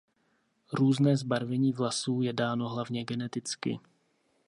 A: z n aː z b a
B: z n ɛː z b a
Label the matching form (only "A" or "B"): B